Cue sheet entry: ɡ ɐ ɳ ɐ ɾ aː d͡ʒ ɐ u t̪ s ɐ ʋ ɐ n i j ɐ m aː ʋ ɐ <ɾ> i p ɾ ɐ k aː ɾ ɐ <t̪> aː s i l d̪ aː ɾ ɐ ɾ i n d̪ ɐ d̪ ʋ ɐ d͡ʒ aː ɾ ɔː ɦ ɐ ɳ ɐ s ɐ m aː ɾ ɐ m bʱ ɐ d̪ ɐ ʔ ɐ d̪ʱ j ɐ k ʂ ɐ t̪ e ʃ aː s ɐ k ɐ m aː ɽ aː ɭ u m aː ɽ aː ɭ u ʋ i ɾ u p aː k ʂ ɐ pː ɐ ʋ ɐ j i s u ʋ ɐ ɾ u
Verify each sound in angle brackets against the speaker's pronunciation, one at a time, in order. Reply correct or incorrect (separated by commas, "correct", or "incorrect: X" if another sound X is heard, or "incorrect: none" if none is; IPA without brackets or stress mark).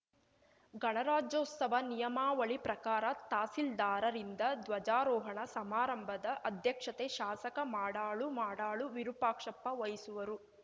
incorrect: ɭ, correct